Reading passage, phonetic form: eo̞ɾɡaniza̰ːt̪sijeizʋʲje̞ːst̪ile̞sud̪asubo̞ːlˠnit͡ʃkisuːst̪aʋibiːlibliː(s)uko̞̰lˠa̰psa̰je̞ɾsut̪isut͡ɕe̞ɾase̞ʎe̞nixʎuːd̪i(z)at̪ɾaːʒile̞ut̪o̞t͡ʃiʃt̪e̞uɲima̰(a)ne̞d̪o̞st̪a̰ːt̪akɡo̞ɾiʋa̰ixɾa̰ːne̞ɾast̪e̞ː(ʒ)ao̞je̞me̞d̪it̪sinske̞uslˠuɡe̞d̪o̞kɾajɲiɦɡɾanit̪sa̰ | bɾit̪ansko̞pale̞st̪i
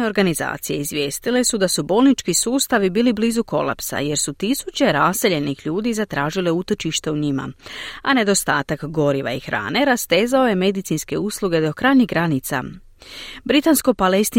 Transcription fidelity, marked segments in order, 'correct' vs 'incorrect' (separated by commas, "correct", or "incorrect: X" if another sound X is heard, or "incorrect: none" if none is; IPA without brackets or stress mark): incorrect: z, correct, correct, incorrect: z